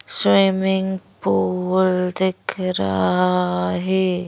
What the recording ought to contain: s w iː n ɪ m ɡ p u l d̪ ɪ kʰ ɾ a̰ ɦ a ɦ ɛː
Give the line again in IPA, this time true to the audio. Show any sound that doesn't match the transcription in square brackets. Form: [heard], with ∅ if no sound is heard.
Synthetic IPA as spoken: s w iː [m] ɪ [ŋ] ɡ p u l d̪ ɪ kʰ ɾ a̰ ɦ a ɦ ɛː

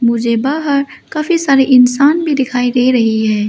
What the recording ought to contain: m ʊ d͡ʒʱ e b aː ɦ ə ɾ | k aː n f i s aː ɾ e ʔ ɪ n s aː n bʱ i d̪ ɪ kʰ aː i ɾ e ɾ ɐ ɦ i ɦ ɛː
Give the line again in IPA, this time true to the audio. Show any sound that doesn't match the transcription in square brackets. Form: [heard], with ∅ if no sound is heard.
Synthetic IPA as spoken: m ʊ d͡ʒʱ e b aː ɦ ə ɾ | k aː [∅] f i s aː ɾ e ʔ ɪ n s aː n bʱ i d̪ ɪ kʰ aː i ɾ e ɾ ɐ ɦ i ɦ ɛː

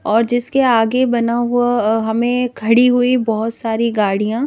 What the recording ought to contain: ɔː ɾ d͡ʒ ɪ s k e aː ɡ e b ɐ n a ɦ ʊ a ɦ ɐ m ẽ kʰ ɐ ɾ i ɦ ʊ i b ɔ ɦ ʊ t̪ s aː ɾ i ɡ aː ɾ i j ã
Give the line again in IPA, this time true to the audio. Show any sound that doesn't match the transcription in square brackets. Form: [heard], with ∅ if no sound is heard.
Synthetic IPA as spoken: ɔː ɾ d͡ʒ ɪ s k e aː ɡ e b ɐ n a ɦ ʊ a ɦ ɐ m ẽ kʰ ɐ [ɽ] i ɦ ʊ i b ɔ ɦ ʊ t̪ s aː ɾ i ɡ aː [ɽ] i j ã

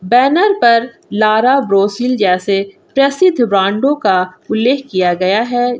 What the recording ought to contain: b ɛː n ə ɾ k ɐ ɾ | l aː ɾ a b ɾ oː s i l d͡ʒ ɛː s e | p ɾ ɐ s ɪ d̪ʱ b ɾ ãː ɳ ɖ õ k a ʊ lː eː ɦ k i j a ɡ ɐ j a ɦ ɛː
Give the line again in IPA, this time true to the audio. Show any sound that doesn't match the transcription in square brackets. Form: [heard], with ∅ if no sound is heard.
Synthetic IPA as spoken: b ɛː n ə ɾ [p] ɐ ɾ | l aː ɾ a b ɾ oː s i l d͡ʒ ɛː s e | p ɾ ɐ s ɪ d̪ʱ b ɾ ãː ɳ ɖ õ k a ʊ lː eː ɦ k i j a ɡ ɐ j a ɦ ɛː

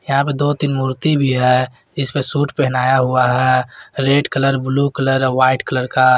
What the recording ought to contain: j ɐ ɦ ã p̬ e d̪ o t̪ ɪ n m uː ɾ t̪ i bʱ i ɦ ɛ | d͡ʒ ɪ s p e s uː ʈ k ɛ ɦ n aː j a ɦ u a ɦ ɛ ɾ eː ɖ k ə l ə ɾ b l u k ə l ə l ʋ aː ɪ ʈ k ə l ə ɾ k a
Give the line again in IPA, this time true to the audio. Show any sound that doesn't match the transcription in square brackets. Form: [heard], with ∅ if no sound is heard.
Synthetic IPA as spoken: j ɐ ɦ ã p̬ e d̪ o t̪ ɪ n m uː ɾ t̪ i bʱ i ɦ ɛ | d͡ʒ ɪ s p e s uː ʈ [p] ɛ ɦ n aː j a ɦ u a ɦ ɛ ɾ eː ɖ k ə l ə ɾ b l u k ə l ə [ɾ] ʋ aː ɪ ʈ k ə l ə ɾ k a

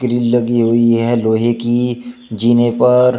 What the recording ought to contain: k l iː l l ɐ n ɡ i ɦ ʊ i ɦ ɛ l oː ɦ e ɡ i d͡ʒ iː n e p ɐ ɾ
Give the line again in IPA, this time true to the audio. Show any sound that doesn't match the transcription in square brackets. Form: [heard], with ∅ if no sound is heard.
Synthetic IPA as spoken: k [ɾ] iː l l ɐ [∅] ɡ i ɦ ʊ i ɦ ɛ l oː ɦ e [k] i d͡ʒ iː n e p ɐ ɾ

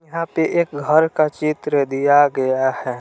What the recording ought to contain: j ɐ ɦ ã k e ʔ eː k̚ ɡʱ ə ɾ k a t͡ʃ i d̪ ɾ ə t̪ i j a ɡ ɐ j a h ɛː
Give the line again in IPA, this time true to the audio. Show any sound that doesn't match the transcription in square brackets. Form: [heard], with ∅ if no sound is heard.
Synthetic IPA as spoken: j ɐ ɦ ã [p] e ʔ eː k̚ ɡʱ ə ɾ k a t͡ʃ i [t̪] ɾ ə [d̪] i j a ɡ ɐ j a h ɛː

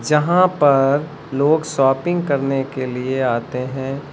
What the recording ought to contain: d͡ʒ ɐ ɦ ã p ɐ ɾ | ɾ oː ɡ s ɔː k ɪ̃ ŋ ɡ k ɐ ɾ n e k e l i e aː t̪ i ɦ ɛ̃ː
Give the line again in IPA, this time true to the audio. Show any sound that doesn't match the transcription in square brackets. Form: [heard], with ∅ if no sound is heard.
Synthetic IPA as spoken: d͡ʒ ɐ ɦ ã p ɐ ɾ | [l] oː ɡ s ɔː [p] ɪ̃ ŋ ɡ k ɐ ɾ n e k e l i e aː t̪ [e] ɦ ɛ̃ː

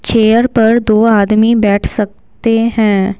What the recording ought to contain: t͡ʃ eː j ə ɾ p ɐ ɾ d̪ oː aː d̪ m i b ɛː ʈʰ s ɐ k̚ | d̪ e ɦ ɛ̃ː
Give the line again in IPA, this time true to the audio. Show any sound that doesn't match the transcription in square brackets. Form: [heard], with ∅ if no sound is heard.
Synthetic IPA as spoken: t͡ʃ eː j ə ɾ p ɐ ɾ d̪ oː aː d̪ m i b ɛː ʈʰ s ɐ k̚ | [t̪] e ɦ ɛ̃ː

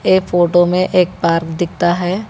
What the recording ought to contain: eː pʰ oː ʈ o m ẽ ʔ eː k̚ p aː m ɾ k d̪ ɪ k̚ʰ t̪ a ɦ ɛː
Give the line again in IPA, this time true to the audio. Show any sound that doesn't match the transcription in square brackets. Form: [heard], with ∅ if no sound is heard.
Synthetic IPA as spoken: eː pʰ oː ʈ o m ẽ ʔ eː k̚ p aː [∅] ɾ k d̪ ɪ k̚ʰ t̪ a ɦ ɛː

